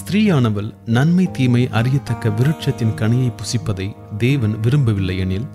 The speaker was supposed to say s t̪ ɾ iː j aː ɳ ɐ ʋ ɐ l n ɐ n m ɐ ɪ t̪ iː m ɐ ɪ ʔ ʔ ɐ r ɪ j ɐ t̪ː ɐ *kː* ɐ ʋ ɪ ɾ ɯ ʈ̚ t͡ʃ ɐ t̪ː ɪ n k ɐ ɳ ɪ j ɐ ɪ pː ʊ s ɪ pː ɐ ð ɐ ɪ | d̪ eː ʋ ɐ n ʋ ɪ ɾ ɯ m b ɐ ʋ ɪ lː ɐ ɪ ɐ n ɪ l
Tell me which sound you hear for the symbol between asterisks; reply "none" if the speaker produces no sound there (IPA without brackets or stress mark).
kː